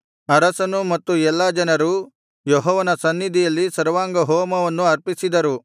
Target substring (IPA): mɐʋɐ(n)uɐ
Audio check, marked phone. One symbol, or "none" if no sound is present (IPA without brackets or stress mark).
nː